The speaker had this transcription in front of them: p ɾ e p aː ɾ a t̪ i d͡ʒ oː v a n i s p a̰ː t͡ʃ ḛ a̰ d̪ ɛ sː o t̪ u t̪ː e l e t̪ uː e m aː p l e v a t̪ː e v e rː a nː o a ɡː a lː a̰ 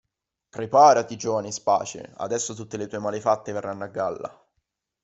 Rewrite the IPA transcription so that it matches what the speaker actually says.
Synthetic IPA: p ɾ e p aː ɾ a t̪ i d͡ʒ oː v a n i s p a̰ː t͡ʃ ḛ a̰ d̪ ɛ sː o t̪ u t̪ː e l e t̪ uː e m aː l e f a t̪ː e v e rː a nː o a ɡː a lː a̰

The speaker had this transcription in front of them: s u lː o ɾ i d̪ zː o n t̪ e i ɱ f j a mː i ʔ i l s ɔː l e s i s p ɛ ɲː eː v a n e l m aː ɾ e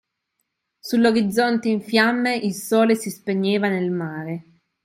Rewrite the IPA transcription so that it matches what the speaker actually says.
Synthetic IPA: s u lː o ɾ i d̪ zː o n t̪ e i ɱ f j a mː e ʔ i l s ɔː l e s i s p e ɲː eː v a n e l m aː ɾ e

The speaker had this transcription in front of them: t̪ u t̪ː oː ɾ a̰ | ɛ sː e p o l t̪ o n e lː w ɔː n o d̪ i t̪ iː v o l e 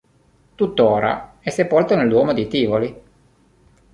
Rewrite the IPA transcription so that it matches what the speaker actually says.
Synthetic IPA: t̪ u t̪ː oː ɾ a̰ | ɛ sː e p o l t̪ o n e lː w ɔː m o d̪ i t̪ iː v o l i

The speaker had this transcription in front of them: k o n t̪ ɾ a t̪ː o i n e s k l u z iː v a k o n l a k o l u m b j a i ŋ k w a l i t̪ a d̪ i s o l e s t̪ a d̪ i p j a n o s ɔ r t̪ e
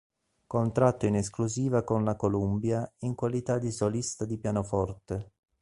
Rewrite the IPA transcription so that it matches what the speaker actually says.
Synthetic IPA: k o n t̪ ɾ a t̪ː o i n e s k l u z iː v a k o n l a k o l u m b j a i ŋ k w a l i t̪ a d̪ i s o l i s t̪ a d̪ i p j a n o f ɔ r t̪ e

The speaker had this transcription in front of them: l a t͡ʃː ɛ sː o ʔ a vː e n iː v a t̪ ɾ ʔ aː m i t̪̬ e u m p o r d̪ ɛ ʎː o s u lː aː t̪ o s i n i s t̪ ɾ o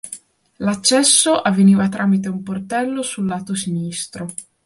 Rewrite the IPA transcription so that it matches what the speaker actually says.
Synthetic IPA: l a t͡ʃː ɛ sː o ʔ a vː e n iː v a t̪ ɾ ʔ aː m i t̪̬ e u m p o r t̪ ɛ lː o s u lː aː t̪ o s i n i s t̪ ɾ o

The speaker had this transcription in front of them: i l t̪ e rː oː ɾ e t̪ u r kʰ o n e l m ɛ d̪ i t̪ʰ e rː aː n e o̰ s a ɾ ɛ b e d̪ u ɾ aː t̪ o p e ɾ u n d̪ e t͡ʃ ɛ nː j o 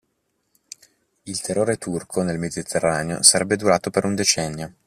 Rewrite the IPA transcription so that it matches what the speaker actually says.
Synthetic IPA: i l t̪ e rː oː ɾ e t̪ u r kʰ o n e l m e d̪ i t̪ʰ e rː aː n e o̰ s a ɾ ɛ bː e d̪ u ɾ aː t̪ o p e ɾ u n d̪ e t͡ʃ ɛ nː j o

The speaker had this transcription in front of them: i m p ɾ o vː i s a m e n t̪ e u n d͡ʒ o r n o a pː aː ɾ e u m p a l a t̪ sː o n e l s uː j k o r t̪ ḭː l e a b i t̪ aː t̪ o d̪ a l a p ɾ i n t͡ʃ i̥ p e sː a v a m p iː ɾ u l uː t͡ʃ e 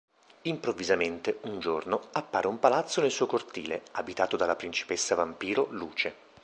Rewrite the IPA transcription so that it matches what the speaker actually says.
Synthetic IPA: i m p ɾ o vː i z a m e n t̪ e u n d͡ʒ o r n o a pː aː ɾ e u m p a l a t̪ sː o n e l s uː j k o r t̪ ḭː l e a b i t̪ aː t̪ o d̪ a l a p ɾ i n t͡ʃ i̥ p e sː a v a m p iː ɾ o l uː t͡ʃ e

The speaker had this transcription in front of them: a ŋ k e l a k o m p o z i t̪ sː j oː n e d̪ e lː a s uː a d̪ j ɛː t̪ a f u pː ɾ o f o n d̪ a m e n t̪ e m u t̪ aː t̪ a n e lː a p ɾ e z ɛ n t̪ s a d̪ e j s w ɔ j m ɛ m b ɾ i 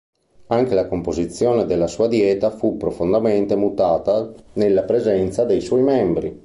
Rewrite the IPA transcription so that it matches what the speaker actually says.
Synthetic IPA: a ŋ k e l a k o m p o z i t̪ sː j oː n e d̪ e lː a s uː a d̪ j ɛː t̪ a f u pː ɾ o f o n d̪ a m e n t̪ e m u t̪ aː t̪ a n e lː a p ɾ e z ɛ n t̪ s a d̪ e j s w ɔ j m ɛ m b ɾ i

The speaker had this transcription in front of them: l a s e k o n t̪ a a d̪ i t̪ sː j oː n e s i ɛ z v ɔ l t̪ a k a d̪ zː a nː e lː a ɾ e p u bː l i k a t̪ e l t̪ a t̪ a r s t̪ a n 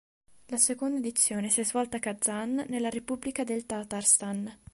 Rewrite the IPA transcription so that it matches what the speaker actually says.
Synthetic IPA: l a s e k o n d̪ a e d̪ i t̪ sː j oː n e s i ɛ z v ɔ l t̪ a k a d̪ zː a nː e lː a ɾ e p u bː l i k a d̪ e l t̪ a t̪ a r s t̪ a n

